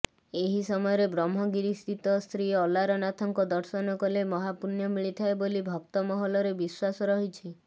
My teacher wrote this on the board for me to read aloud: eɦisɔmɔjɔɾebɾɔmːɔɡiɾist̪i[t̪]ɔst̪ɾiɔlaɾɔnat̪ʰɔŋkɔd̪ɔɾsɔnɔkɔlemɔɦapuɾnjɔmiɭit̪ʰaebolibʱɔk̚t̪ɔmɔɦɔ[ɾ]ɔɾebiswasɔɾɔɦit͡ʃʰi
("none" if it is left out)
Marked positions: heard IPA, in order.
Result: t̪, l

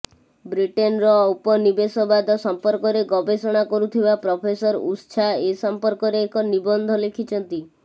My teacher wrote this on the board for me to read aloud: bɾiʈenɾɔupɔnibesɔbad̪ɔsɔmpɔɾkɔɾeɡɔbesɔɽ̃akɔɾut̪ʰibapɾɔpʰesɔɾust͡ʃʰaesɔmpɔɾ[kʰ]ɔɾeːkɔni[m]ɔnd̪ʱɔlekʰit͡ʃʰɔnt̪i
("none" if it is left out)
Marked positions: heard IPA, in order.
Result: k, b

